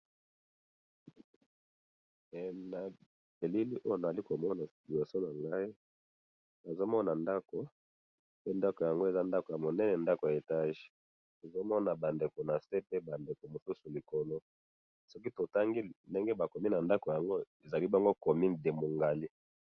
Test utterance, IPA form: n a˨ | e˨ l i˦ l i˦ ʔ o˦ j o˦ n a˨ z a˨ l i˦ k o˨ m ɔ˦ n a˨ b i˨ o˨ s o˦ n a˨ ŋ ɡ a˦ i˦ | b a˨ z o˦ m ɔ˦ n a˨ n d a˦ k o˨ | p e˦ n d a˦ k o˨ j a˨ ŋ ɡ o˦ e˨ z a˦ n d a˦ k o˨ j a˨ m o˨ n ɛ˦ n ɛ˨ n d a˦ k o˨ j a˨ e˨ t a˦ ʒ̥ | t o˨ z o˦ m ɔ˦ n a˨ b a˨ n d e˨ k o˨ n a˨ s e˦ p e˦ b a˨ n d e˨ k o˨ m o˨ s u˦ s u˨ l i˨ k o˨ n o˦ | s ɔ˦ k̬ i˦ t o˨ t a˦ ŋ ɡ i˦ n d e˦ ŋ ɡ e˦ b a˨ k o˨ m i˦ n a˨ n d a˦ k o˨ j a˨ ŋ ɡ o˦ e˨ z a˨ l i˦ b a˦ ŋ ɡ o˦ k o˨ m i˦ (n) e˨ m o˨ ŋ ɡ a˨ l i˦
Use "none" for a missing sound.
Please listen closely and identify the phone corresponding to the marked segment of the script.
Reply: d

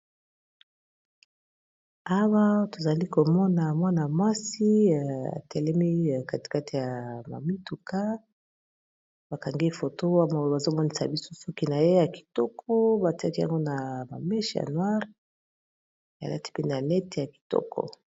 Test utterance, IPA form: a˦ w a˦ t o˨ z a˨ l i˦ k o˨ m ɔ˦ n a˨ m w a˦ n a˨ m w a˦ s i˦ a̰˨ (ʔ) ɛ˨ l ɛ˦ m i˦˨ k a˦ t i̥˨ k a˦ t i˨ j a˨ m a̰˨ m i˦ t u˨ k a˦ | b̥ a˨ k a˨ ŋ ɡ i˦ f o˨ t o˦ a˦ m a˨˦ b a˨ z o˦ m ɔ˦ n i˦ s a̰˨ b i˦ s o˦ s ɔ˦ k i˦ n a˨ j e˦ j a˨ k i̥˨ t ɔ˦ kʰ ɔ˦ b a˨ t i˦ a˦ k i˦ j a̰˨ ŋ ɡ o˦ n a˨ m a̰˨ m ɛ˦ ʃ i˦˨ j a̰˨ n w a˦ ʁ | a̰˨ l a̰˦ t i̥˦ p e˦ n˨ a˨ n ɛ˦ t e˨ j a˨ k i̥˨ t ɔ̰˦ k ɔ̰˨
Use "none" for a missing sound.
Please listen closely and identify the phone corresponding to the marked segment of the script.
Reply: t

